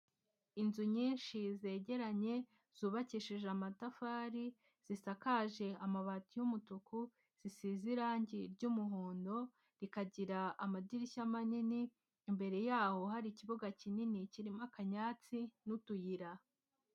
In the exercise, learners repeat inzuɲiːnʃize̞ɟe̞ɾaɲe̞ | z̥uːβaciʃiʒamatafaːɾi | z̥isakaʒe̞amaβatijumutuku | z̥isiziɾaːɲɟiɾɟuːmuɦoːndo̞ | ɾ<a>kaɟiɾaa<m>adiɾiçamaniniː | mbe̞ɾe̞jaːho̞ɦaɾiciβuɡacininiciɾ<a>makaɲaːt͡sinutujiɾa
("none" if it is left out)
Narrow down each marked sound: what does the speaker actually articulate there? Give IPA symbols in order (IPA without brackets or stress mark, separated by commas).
i, m, i